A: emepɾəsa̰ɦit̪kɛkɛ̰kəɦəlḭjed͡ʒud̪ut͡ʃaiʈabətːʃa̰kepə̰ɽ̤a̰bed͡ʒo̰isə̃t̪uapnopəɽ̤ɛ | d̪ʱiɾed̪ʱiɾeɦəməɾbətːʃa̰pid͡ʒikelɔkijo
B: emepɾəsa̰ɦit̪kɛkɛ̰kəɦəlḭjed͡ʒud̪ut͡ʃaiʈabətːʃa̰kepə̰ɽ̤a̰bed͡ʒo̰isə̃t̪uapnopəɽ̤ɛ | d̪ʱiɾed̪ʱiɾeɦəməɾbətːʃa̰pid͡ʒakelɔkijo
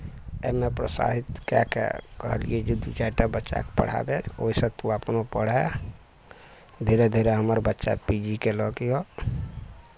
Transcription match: A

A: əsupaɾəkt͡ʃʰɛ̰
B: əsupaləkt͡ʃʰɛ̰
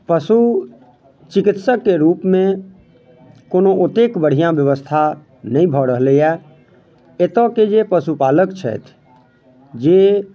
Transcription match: B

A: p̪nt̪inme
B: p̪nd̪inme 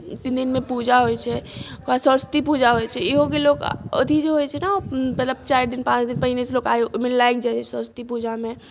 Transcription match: B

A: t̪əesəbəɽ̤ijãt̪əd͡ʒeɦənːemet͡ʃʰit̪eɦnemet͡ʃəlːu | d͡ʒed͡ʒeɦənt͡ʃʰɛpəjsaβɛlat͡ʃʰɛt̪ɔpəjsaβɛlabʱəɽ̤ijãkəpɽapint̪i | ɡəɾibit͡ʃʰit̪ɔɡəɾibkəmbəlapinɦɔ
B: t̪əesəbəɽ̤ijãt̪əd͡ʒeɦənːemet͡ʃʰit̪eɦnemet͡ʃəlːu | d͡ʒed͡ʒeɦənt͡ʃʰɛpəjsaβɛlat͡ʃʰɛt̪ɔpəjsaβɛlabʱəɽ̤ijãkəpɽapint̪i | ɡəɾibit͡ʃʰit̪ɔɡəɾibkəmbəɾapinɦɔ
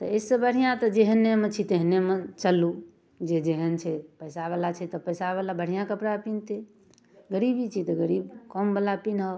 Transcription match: A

